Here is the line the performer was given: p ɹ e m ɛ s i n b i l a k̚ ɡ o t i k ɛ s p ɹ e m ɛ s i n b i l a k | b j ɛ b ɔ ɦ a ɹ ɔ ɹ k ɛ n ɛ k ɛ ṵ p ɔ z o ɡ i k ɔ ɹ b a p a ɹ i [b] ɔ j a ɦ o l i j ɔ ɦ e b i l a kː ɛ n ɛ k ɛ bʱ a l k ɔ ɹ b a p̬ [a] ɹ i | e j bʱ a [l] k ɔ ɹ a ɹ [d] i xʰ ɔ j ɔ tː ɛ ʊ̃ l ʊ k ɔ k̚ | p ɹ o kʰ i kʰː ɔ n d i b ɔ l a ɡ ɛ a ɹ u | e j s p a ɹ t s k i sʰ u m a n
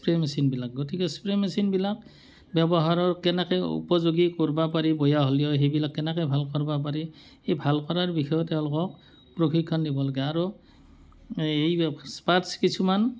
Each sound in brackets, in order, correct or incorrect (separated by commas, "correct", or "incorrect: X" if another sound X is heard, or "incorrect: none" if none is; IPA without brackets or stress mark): correct, correct, correct, incorrect: b